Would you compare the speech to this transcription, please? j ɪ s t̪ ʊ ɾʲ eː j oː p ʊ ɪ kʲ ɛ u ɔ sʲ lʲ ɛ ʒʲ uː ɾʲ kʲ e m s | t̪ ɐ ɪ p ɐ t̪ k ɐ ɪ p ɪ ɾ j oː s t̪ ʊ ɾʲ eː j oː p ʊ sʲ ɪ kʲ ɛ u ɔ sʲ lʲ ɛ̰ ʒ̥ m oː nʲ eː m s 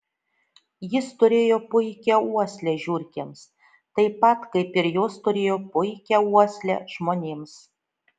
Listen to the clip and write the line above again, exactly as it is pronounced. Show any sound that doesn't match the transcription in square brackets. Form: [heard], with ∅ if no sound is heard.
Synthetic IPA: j ɪ s t̪ ʊ ɾʲ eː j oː p ʊ ɪ kʲ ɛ u ɔ sʲ lʲ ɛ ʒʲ uː ɾʲ kʲ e m s | t̪ ɐ ɪ p ɐ t̪ k ɐ ɪ p ɪ ɾ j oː s t̪ ʊ ɾʲ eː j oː p ʊ [∅] ɪ kʲ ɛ u ɔ sʲ lʲ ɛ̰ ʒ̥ m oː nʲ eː m s